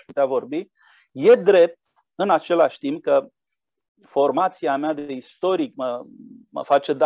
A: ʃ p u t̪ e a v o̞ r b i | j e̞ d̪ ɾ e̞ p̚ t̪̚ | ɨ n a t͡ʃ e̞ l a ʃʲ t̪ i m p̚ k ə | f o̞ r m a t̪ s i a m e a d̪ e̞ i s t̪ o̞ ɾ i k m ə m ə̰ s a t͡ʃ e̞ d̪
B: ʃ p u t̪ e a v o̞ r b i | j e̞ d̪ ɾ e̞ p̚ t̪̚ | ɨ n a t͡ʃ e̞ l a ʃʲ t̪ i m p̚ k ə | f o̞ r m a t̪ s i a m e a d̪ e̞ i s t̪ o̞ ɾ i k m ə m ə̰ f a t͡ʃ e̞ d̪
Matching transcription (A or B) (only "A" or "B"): B